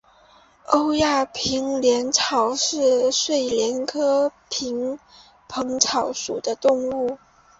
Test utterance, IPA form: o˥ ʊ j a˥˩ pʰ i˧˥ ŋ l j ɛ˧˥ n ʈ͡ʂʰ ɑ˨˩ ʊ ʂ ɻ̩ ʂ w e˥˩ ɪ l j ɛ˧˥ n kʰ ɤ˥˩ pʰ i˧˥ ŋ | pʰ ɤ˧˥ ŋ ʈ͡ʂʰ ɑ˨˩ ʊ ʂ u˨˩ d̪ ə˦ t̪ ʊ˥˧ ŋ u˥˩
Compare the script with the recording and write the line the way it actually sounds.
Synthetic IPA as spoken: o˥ ʊ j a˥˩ pʰ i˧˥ ŋ l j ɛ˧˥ n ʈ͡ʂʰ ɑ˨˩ ʊ ʂ ɻ̩ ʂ w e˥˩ ɪ l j ɛ˧˥ n kʰ ɤ˥ pʰ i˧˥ ŋ | pʰ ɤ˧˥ ŋ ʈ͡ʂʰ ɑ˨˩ ʊ ʂ u˨˩ d̪ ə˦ t̪ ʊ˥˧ ŋ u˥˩